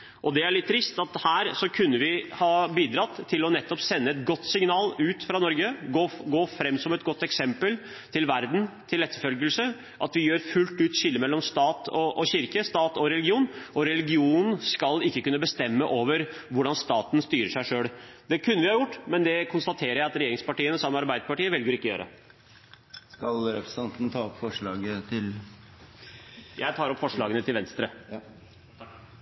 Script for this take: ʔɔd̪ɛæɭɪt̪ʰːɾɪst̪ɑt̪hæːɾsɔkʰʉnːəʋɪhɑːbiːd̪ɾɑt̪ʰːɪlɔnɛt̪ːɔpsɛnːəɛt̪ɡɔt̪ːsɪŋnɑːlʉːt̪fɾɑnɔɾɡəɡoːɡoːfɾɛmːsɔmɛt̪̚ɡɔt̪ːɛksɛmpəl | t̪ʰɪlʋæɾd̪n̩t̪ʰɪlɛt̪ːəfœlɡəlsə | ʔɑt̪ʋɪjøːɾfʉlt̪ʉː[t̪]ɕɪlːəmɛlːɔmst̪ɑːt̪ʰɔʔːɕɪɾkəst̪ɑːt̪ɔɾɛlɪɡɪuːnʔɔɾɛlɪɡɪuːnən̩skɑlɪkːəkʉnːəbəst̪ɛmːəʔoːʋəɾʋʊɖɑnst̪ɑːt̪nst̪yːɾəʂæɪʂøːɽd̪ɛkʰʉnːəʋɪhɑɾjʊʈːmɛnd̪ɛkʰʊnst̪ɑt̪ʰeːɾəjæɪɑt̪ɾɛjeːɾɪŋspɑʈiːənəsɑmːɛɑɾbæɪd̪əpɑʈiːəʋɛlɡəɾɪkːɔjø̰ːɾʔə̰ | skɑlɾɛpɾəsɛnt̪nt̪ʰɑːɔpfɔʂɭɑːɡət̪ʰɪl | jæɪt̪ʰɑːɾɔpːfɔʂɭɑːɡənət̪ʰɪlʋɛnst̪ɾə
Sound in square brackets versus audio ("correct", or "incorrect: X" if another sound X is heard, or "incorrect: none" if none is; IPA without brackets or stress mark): correct